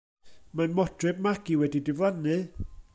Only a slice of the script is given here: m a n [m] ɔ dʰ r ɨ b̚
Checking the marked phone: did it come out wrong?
no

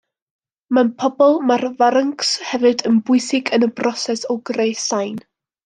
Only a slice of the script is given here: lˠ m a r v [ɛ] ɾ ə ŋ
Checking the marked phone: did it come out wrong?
yes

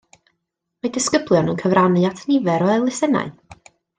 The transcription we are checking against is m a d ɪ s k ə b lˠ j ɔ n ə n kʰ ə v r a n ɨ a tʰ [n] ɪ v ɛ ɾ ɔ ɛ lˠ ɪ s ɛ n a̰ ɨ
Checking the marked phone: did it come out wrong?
no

